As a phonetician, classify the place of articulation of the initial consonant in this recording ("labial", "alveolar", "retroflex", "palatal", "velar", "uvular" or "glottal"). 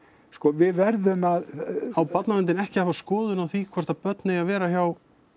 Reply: alveolar